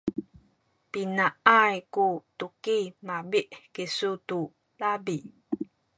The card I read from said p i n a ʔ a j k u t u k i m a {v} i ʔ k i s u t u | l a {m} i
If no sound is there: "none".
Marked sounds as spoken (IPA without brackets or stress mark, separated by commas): b, b